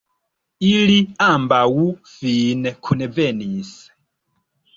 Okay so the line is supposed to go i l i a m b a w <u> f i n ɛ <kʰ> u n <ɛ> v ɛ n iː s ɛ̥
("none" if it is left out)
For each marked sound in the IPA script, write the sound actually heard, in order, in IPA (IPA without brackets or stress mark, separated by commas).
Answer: u, kʰ, ɛ